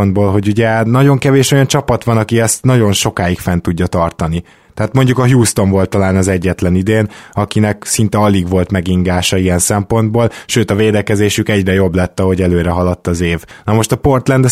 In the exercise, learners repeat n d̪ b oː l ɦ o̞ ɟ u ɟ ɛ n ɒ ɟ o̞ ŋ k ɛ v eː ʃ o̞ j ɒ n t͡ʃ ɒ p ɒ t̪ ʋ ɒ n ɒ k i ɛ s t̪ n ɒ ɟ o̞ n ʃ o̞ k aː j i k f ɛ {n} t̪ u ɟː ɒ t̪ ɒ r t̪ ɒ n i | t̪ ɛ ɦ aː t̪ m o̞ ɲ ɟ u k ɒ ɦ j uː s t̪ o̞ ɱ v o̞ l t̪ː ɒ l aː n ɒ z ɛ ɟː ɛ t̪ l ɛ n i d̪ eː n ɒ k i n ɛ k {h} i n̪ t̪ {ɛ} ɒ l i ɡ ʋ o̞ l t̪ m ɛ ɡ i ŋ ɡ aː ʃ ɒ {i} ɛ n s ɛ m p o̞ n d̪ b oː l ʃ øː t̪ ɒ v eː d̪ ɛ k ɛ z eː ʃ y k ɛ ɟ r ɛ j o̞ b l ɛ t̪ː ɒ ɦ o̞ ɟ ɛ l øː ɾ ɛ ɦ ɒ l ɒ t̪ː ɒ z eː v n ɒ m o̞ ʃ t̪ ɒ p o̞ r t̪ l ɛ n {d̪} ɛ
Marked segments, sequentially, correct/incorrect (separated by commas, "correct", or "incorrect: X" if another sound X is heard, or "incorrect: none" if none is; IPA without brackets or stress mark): correct, incorrect: s, correct, correct, correct